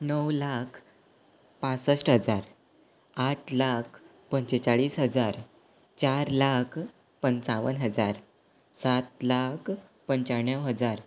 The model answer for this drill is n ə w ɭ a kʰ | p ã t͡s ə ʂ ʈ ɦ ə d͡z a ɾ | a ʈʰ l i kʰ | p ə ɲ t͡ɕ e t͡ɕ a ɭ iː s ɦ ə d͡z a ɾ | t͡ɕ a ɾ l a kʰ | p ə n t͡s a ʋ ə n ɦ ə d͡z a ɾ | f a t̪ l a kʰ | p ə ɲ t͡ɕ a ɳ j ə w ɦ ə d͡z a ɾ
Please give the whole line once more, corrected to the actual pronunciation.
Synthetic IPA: n ə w l a kʰ | p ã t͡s ə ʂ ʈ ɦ ə d͡z a ɾ | a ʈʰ l a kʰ | p ə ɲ t͡ɕ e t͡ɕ a ɭ iː s ɦ ə d͡z a ɾ | t͡ɕ a ɾ l a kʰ | p ə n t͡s a ʋ ə n ɦ ə d͡z a ɾ | s a t̪ l a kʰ | p ə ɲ t͡ɕ a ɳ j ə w ɦ ə d͡z a ɾ